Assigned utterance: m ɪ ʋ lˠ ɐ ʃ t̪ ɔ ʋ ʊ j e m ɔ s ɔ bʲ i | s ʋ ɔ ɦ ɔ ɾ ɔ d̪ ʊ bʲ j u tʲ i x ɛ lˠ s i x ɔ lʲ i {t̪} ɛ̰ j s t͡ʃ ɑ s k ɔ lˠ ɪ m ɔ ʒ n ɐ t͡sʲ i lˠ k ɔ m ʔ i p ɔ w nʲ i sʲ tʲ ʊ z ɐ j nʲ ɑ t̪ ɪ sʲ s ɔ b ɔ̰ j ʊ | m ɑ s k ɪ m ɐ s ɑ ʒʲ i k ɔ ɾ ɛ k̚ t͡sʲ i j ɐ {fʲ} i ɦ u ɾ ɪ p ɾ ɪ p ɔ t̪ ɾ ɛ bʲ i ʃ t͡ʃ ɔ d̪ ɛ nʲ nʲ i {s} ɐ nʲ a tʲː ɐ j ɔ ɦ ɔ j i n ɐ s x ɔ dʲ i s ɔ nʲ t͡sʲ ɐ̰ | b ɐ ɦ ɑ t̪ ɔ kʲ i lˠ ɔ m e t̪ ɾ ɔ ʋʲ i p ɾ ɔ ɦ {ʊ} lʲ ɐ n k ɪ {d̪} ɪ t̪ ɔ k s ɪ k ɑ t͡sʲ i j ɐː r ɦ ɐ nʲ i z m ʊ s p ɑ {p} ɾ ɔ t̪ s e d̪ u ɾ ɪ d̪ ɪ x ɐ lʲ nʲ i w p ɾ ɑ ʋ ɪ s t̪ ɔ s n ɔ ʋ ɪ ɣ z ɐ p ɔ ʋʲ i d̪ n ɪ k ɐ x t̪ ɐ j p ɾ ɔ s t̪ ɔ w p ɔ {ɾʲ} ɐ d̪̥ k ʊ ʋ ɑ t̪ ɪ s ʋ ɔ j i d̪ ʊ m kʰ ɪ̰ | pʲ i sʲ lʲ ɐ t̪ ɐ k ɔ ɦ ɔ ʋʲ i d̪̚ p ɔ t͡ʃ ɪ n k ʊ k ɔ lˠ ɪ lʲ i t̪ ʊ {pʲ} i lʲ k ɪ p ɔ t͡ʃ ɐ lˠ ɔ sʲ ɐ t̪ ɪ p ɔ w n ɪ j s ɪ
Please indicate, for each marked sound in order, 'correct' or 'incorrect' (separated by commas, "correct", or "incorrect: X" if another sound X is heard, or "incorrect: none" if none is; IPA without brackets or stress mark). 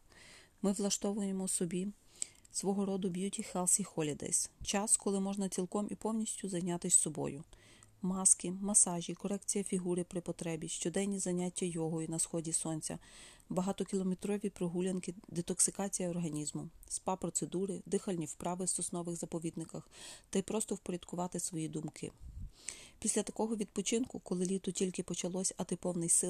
incorrect: d̪, correct, incorrect: z, incorrect: u, correct, correct, correct, incorrect: tʲ